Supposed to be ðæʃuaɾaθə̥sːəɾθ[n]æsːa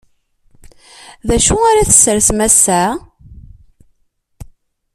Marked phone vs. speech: incorrect: m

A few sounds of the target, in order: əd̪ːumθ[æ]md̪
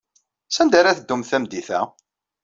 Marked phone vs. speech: correct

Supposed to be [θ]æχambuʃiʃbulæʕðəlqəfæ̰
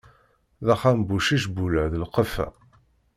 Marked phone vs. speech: incorrect: ð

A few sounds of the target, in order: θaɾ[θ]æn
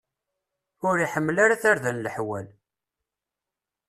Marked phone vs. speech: incorrect: ð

